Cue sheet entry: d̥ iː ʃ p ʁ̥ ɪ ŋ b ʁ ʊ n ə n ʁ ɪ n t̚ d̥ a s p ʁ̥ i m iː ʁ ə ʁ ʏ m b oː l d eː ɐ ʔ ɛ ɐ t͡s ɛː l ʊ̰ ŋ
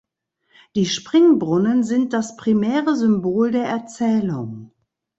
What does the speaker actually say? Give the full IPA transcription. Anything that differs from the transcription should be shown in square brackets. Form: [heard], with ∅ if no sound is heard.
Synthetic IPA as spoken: d̥ iː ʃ p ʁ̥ ɪ ŋ b ʁ ʊ n ə n [z] ɪ n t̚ d̥ a s p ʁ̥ i m [ɛː] ʁ ə [z] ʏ m b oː l d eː ɐ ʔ ɛ ɐ t͡s ɛː l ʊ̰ ŋ